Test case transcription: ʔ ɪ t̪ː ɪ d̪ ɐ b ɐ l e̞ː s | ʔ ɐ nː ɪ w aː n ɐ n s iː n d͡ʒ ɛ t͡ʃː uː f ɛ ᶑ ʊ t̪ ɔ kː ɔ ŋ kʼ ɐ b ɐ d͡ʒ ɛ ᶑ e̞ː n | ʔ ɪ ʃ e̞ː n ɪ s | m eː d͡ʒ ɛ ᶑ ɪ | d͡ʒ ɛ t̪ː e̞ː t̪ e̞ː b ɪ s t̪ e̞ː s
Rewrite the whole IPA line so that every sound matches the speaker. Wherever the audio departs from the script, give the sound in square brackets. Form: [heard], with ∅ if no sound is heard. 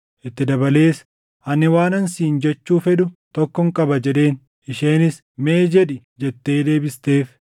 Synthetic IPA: ʔ ɪ t̪ː ɪ d̪ ɐ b ɐ l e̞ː s | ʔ ɐ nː ɪ w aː n ɐ n s iː n d͡ʒ ɛ t͡ʃː uː f ɛ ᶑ ʊ t̪ ɔ kː ɔ ŋ kʼ ɐ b ɐ d͡ʒ ɛ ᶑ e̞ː n | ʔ ɪ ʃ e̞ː n ɪ s | m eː d͡ʒ ɛ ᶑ ɪ | d͡ʒ ɛ t̪ː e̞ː [d̪] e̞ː b ɪ s t̪ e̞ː [f]